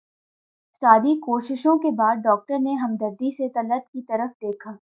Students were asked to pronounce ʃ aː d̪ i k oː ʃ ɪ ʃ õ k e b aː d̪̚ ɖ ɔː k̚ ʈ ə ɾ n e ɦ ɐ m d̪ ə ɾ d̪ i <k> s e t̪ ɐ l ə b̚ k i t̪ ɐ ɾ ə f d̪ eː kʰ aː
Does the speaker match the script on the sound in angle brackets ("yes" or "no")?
no